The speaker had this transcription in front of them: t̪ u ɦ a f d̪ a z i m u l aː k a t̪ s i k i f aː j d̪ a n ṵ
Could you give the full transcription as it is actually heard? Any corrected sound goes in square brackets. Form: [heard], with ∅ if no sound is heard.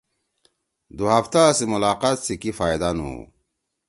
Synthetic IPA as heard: [d̪] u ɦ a f [t̪] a [s] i m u l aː [q] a t̪ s i k i f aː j d̪ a n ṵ